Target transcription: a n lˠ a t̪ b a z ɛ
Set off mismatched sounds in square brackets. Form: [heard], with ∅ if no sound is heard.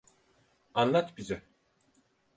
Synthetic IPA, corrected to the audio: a n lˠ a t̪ b [i] z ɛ